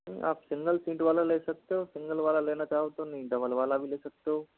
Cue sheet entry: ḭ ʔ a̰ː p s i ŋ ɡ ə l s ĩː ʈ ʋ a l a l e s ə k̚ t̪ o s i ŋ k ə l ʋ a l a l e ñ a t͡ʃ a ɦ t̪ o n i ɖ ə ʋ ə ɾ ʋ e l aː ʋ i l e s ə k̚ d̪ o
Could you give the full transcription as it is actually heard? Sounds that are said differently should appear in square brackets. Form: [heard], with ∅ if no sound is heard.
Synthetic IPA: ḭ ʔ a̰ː p s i ŋ ɡ ə l s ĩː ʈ ʋ a l a l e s ə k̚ t̪ o s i ŋ [ɡ] ə l ʋ a l a l e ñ a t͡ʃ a ɦ t̪ o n i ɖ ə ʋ ə [l] ʋ [a] l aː ʋ i l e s ə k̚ [t̪] o

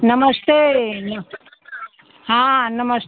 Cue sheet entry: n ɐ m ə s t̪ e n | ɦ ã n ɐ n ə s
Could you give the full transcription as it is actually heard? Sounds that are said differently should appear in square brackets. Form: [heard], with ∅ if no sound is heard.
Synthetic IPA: n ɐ m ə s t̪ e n | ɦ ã n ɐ [m] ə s

